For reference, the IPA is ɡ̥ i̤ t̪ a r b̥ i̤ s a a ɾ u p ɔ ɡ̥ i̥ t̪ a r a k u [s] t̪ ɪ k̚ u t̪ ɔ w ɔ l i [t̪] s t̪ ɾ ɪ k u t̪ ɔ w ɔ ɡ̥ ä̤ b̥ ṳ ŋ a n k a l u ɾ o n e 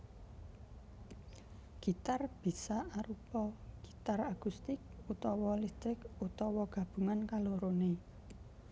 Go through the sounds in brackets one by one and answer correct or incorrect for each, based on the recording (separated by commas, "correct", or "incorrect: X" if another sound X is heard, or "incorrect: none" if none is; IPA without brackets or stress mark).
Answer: correct, incorrect: none